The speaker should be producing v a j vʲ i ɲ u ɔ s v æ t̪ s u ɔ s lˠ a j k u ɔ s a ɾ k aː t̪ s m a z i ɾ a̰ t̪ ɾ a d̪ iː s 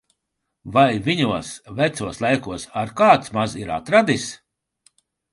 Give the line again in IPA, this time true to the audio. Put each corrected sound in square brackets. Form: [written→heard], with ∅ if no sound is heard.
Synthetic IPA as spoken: v a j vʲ i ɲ u ɔ s v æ t̪ s u ɔ s lˠ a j k u ɔ s a ɾ k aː t̪ s m a z i ɾ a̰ t̪ ɾ a d̪ [iː→i] s